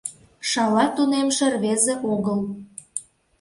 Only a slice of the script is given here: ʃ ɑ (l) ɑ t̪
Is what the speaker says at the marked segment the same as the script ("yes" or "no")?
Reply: yes